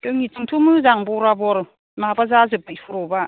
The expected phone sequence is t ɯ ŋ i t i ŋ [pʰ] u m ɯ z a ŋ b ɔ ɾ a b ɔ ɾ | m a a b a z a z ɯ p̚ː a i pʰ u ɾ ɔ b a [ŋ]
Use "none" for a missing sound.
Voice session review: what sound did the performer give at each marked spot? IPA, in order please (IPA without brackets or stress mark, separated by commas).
tʰ, none